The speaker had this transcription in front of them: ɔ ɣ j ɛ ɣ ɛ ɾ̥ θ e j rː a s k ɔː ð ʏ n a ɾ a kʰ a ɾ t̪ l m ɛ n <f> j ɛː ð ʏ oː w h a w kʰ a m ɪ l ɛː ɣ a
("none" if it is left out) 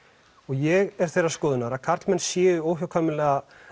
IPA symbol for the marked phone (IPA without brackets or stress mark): s